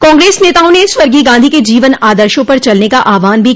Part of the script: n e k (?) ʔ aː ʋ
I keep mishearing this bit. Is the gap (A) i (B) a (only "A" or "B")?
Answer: B